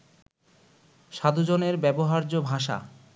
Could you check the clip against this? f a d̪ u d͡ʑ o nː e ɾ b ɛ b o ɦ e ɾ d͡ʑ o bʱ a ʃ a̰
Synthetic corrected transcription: ʃ a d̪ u d͡ʑ o n e ɾ b ɛ b o ɦ a ɾ d͡ʑ o bʱ a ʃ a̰